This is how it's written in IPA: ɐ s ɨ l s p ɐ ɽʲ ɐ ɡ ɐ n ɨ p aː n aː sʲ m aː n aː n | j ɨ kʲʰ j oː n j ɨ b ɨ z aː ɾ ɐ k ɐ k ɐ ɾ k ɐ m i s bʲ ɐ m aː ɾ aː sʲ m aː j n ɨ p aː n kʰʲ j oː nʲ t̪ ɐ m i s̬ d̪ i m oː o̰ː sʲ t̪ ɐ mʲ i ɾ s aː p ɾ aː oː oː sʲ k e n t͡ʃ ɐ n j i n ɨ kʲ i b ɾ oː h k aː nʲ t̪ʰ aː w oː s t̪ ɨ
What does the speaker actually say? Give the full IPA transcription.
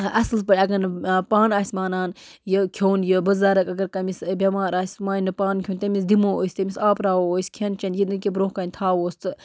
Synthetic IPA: ɐ s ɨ l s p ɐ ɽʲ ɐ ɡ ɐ n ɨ p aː n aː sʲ m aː n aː n | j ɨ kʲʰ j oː n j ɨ b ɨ z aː ɾ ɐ k ɐ ɡ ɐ ɾ k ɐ m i s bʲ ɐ m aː ɾ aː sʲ m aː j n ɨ p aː n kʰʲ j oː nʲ t̪ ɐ m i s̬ d̪ i m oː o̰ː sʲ t̪ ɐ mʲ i s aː p ɾ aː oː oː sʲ kʰ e n t͡ʃ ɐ n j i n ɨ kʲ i b ɾ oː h k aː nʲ t̪ʰ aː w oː s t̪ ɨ

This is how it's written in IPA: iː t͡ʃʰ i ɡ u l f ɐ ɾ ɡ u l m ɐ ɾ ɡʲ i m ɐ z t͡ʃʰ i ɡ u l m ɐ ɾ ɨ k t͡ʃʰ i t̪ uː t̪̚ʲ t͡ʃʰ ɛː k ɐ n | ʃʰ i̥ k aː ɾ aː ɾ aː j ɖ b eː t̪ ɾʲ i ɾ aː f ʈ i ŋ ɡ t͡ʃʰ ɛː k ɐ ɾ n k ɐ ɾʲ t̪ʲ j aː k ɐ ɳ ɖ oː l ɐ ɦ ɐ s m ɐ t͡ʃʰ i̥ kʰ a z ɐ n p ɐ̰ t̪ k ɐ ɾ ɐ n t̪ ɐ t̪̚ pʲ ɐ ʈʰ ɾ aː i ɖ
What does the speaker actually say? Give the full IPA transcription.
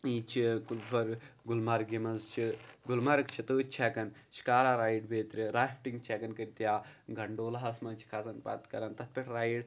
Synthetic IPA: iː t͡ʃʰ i k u l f ɐ ɾ ɡ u l m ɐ ɾ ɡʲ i m ɐ z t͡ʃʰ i ɡ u l m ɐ ɾ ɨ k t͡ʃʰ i t̪ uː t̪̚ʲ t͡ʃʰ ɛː k ɐ n | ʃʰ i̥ k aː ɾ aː ɾ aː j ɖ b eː t̪ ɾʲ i ɾ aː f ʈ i ŋ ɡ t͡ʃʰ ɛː k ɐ n k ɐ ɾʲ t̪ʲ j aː ɡ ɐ ɳ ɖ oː l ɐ ɦ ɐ s m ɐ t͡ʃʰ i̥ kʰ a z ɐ n p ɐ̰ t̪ k ɐ ɾ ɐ n t̪ ɐ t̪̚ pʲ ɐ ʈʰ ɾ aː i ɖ

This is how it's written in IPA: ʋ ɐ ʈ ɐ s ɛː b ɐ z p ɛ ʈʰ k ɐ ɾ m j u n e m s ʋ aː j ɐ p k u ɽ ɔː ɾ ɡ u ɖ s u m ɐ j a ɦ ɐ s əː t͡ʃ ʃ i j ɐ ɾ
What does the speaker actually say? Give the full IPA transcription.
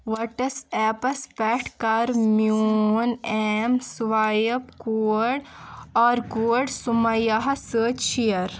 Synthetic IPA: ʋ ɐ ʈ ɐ s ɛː p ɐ s p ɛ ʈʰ k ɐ ɾ m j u n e m s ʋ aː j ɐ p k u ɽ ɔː ɾ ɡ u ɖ s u m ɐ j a ɦ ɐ s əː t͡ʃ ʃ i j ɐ ɾ

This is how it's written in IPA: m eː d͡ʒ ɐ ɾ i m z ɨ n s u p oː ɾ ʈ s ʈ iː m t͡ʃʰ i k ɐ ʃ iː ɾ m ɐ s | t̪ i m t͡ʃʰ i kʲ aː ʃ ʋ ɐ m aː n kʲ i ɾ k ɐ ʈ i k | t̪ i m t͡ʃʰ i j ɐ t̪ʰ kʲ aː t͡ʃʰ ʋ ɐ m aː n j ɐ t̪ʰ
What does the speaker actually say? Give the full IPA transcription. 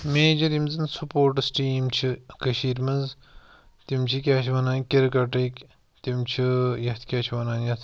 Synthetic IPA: m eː d͡ʒ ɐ ɾ i m z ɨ n s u p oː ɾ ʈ s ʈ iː m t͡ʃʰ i k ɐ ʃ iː ɾ m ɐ z | t̪ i m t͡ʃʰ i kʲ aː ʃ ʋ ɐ n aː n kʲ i ɾ k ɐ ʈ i k | t̪ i m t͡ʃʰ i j ɐ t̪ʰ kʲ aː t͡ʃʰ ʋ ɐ n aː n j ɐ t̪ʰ

